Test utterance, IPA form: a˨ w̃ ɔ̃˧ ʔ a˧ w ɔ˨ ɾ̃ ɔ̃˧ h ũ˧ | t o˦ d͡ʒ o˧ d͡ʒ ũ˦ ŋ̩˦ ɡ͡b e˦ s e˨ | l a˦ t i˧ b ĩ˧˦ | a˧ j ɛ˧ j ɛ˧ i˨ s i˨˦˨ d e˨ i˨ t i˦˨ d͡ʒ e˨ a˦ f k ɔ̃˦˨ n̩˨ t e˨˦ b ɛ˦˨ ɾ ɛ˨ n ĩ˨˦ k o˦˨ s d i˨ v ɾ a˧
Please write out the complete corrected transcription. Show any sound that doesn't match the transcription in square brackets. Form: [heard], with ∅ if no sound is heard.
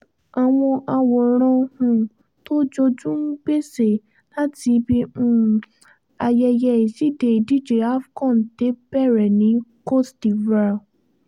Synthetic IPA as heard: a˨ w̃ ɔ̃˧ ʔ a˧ w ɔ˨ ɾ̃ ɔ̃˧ h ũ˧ | t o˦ d͡ʒ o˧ d͡ʒ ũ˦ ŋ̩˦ ɡ͡b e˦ s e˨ | l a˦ t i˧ b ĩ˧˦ | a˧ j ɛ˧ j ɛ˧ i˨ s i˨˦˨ d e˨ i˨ [d] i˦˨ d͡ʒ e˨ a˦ f k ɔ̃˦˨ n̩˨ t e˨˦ b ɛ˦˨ ɾ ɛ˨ n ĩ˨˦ k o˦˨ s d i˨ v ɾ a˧